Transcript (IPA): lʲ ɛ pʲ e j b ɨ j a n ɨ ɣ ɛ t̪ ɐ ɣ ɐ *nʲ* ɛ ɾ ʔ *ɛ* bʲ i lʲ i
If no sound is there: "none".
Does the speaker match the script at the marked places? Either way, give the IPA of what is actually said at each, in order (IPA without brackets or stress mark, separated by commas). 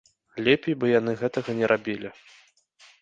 nʲ, a